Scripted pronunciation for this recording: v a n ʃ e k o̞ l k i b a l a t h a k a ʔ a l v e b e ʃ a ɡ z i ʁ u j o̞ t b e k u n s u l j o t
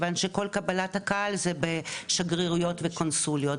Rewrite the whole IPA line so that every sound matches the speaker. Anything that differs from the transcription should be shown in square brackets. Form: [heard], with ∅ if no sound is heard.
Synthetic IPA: v a n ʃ e k o̞ l k [a] b a l a t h a k a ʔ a l [z] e b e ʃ a ɡ [ʁ] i ʁ u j o̞ t [v] e k [o] n s u l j o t